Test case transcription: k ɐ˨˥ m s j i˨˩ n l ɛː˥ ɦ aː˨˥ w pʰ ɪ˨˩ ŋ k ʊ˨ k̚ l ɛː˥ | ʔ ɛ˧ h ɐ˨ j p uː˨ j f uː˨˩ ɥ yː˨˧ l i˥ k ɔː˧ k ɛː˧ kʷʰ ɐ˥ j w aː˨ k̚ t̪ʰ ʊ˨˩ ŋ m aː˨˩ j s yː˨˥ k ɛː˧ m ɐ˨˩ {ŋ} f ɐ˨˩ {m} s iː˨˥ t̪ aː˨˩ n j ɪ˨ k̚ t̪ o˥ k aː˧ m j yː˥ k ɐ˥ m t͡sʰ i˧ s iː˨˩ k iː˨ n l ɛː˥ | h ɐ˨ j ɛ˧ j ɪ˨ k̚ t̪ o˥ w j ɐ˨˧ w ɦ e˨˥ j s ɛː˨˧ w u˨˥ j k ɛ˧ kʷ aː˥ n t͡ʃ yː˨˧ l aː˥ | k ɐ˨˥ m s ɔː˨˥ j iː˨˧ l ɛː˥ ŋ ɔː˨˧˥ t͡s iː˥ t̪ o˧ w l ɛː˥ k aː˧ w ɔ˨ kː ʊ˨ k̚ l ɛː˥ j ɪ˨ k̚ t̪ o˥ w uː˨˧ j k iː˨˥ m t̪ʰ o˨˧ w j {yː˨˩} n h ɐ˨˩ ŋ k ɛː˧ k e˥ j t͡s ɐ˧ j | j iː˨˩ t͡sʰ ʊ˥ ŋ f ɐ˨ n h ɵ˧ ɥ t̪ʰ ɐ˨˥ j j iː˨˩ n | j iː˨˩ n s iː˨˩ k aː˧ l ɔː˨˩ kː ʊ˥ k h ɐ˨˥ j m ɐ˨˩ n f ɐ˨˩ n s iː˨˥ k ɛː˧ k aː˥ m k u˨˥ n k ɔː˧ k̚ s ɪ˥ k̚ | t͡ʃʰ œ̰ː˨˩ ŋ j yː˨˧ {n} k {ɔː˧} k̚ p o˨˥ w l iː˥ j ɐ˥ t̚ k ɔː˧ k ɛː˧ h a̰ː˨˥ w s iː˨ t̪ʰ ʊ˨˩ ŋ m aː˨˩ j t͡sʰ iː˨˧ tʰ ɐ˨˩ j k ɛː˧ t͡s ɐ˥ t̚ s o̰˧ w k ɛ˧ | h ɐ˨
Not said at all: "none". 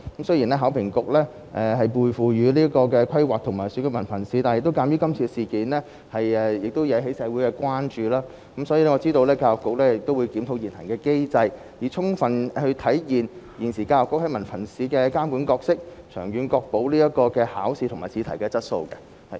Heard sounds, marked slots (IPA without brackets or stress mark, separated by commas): n, n, iː˨˩, n, ɔː˧